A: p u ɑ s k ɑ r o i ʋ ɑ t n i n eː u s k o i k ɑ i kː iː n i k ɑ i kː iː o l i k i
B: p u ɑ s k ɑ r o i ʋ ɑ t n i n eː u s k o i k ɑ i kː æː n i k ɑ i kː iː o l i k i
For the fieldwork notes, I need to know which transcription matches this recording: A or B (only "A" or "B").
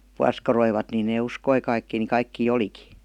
A